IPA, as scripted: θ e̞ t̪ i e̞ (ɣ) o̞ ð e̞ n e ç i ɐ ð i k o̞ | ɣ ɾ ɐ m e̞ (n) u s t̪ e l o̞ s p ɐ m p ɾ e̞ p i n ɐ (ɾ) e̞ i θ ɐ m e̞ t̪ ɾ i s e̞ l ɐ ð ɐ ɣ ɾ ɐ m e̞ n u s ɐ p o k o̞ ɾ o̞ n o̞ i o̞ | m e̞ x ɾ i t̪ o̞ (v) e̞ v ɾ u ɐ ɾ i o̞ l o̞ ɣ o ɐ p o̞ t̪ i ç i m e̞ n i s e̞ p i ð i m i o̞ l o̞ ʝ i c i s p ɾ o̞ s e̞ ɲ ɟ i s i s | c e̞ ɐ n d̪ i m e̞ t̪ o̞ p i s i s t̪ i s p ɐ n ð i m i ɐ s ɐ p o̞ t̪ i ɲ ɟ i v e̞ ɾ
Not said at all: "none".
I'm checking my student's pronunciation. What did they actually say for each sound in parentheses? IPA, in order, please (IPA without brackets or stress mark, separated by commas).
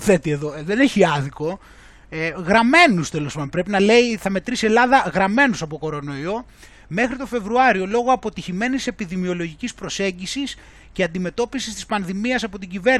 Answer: ð, n, l, f